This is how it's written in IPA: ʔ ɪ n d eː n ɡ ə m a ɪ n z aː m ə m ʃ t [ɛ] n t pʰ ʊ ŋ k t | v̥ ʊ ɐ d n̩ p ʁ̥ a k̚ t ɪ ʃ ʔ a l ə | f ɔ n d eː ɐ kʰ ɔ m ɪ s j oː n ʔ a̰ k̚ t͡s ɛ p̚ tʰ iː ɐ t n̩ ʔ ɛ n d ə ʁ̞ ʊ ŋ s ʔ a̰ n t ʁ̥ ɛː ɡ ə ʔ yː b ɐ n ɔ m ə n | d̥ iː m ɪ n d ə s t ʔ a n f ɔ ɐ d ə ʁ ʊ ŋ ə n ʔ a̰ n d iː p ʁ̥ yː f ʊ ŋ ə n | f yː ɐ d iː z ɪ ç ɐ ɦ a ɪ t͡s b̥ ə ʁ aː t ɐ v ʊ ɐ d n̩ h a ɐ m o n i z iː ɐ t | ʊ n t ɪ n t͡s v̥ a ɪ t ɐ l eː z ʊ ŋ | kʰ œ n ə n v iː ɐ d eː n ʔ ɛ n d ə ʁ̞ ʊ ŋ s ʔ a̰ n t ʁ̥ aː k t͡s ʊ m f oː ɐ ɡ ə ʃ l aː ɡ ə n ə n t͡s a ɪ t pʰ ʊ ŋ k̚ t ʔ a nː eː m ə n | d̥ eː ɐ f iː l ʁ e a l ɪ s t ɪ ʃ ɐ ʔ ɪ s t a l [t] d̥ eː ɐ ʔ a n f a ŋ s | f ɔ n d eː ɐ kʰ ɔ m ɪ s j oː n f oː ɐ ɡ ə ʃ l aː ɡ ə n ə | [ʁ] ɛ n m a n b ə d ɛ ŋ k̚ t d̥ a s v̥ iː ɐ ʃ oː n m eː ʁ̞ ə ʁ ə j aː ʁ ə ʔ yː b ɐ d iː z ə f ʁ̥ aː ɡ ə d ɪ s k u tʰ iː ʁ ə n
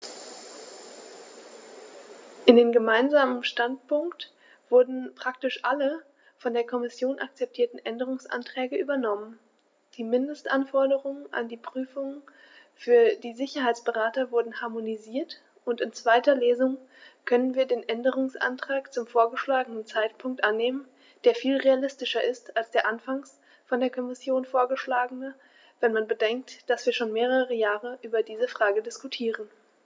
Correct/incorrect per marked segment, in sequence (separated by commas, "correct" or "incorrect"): incorrect, incorrect, incorrect